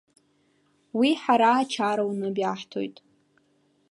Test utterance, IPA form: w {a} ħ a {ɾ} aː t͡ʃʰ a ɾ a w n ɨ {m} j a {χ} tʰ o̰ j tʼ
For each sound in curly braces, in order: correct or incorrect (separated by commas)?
incorrect, correct, incorrect, incorrect